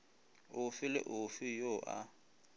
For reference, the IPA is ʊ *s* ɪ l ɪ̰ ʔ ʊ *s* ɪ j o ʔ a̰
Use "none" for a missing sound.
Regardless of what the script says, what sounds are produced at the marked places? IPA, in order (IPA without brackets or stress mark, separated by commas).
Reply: f, f